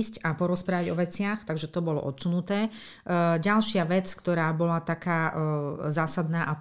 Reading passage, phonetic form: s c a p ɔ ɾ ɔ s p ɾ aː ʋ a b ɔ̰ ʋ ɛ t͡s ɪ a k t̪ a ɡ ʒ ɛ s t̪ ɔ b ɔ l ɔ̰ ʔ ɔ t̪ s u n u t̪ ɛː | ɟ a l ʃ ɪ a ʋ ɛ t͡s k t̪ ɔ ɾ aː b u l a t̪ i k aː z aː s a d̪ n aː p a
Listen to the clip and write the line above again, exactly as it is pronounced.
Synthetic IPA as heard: s c a p ɔ ɾ ɔ s p ɾ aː ʋ a ɟ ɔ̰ ʋ ɛ t͡s ɪ a x t̪ a ɡ ʒ ɛ t̪ ɔ b ɔ l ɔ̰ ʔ ɔ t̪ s u n u t̪ ɛː | ɟ a l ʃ ɪ a ʋ ɛ t͡s k t̪ ɔ ɾ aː b ɔ l a t̪ a k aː z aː s a d̪ n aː ʔ a